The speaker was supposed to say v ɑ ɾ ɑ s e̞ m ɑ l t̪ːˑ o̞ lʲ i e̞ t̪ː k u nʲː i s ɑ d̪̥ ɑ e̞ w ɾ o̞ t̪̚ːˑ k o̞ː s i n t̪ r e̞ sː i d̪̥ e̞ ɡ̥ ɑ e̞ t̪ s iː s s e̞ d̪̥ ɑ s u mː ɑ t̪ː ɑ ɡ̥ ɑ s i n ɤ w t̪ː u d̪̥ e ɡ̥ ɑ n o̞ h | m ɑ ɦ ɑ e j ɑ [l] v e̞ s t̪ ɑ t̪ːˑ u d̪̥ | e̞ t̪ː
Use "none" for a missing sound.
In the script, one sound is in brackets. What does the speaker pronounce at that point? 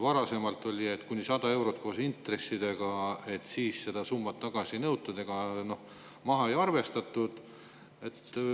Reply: r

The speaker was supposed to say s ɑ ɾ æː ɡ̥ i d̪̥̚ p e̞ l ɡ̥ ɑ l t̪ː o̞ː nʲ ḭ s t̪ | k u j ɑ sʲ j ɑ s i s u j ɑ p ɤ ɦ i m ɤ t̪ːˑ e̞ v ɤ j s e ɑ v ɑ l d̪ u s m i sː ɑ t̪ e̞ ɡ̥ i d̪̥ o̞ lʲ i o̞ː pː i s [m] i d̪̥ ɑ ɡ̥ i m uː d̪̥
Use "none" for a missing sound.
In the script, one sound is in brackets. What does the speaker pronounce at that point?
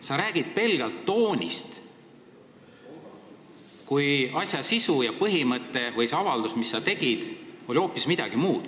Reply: m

